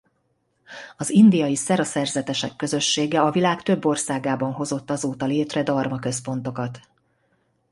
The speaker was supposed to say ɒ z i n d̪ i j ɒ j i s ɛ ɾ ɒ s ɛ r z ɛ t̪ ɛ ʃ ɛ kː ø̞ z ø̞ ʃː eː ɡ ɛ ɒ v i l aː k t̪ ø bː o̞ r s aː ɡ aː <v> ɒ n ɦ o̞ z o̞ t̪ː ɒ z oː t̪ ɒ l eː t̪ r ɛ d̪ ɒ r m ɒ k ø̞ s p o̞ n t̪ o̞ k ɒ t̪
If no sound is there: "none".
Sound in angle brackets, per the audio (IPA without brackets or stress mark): b